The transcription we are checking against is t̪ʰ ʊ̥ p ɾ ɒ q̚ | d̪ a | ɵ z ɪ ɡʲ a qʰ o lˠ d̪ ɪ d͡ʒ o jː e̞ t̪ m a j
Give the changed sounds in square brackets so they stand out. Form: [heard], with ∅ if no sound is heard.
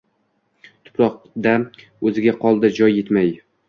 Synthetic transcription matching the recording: t̪ʰ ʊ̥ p ɾ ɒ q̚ | d̪ a | ɵ z ɪ ɡʲ a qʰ [ɒ] lˠ d̪ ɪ d͡ʒ [ɒ] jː e̞ t̪ m a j